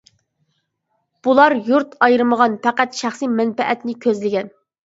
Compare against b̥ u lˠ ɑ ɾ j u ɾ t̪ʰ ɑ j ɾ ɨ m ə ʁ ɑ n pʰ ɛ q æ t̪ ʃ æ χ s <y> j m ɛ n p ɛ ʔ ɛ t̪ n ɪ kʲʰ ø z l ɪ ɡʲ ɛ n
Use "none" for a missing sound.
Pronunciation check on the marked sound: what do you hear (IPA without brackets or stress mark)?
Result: i